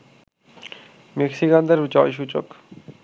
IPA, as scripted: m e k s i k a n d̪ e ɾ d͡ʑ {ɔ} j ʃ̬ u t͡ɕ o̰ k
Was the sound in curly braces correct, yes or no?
yes